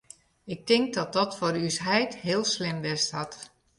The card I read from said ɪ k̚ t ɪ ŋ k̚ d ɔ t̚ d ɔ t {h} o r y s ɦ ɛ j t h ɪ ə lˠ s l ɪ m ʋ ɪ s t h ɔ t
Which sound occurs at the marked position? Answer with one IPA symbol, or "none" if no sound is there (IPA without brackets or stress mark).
f